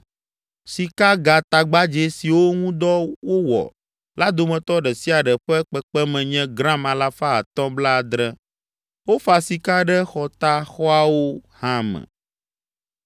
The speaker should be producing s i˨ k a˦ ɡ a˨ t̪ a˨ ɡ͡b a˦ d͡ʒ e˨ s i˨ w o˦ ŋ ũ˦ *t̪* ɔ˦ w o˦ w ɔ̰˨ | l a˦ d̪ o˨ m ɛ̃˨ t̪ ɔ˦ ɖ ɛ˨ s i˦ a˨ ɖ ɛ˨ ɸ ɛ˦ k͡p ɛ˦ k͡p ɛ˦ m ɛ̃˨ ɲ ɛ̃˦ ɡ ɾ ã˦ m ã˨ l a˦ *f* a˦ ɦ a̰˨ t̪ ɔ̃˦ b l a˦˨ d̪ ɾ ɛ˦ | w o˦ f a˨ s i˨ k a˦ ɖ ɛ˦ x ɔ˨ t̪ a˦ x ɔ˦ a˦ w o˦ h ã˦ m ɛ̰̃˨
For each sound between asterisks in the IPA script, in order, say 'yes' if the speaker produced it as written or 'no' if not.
no, yes

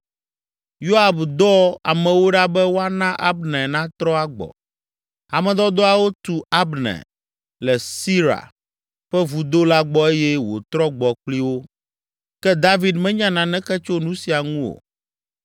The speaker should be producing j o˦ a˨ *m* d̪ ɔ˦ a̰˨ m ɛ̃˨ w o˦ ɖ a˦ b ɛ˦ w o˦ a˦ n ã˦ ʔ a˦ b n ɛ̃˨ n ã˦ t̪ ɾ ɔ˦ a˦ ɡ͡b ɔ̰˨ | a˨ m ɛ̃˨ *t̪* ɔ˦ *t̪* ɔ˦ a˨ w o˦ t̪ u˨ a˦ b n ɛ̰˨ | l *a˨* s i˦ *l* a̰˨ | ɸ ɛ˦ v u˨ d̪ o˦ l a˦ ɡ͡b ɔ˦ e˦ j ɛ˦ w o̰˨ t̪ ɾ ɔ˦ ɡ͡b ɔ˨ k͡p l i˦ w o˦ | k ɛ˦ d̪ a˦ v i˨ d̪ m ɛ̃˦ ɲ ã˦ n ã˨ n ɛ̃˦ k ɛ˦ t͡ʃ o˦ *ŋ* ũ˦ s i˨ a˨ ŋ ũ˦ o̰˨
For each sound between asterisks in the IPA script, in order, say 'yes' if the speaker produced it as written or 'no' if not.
no, no, no, no, no, no

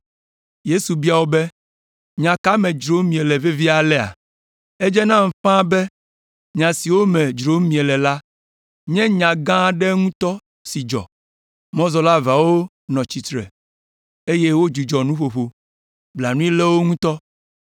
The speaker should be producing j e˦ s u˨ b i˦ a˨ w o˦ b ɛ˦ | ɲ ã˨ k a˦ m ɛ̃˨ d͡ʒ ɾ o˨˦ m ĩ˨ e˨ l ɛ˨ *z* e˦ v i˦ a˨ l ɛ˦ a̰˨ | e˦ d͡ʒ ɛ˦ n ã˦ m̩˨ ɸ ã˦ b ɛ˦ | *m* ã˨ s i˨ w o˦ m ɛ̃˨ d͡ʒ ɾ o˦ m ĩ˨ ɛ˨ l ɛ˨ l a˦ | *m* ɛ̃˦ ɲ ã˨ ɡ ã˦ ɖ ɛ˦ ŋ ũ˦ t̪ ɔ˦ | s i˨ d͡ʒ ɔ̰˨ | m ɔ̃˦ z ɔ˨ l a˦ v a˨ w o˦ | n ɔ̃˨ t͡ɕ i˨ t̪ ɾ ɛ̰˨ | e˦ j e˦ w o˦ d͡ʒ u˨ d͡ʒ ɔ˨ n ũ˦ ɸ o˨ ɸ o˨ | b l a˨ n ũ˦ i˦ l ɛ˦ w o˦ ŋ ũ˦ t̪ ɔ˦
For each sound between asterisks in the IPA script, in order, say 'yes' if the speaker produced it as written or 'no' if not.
no, no, no

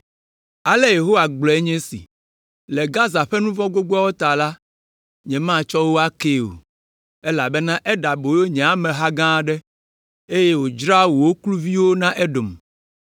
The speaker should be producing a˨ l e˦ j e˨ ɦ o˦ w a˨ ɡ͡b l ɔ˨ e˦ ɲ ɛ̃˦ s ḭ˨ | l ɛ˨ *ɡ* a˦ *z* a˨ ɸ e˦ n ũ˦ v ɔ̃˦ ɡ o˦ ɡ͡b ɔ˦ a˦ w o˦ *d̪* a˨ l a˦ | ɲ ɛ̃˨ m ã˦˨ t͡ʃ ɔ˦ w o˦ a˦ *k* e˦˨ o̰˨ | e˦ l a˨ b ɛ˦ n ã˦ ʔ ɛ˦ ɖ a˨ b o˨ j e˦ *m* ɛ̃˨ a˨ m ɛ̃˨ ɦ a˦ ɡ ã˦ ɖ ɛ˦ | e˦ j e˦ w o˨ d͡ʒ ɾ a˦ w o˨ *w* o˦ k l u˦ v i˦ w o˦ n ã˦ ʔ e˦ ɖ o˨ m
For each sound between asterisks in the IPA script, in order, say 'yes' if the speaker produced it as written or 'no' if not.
yes, yes, no, yes, no, yes

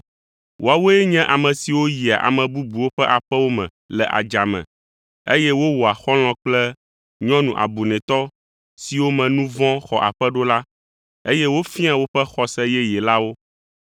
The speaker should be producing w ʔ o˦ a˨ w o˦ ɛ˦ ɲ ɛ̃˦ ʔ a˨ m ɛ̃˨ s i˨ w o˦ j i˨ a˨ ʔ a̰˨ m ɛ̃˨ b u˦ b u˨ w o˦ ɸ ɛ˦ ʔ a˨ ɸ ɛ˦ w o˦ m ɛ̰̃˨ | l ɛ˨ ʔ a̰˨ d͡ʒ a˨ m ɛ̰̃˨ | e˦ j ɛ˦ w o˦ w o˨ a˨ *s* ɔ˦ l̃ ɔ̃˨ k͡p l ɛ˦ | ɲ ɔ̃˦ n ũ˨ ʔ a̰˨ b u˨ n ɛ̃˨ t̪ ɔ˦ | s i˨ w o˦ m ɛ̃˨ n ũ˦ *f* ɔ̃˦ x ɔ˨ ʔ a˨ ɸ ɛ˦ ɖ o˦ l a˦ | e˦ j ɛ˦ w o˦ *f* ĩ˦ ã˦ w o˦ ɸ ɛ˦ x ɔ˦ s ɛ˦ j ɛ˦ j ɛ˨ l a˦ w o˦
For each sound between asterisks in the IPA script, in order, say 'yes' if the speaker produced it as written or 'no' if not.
no, no, yes

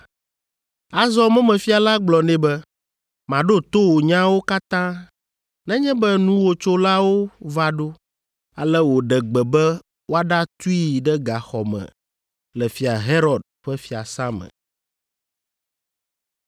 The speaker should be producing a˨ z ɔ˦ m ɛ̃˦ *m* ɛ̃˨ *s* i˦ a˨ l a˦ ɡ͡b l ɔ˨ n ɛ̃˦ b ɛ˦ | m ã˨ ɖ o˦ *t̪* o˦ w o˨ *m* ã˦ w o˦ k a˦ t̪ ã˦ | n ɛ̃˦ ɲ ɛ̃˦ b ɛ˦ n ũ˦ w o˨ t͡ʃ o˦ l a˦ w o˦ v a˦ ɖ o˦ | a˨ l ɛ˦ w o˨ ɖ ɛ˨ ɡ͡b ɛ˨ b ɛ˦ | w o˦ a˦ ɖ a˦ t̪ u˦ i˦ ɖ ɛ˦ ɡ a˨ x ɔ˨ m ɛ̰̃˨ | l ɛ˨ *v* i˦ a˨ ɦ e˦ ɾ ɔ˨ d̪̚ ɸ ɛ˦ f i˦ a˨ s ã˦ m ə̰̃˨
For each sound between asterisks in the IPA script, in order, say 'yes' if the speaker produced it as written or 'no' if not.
yes, no, yes, no, no

